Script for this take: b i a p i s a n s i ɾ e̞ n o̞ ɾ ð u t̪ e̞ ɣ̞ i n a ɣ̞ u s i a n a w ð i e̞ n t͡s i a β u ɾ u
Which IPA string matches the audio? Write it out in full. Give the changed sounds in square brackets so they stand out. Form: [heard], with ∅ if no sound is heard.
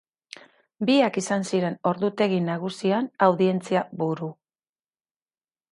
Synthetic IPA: b i a [k] i s a n s i ɾ e̞ n o̞ ɾ ð u t̪ e̞ ɣ̞ i n a ɣ̞ u s i a n a w ð i e̞ n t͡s i a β u ɾ u